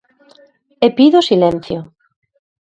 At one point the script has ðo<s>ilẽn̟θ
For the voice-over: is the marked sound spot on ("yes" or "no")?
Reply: yes